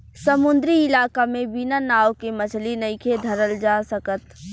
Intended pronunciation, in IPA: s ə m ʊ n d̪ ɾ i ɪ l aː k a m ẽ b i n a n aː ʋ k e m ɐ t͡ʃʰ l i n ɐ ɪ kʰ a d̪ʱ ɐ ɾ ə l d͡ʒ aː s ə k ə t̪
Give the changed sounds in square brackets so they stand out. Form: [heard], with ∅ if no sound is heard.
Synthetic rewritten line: s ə m ʊ n d̪ ɾ i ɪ l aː k a m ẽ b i n a n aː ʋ k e m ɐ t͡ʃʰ l i n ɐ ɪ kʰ [e] d̪ʱ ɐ ɾ ə l d͡ʒ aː s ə k ə t̪